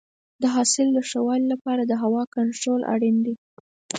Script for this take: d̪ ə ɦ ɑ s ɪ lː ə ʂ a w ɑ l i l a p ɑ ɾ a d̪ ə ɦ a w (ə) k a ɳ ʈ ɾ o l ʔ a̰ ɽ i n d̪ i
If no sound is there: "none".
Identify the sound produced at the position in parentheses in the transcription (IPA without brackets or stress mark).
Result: ɑ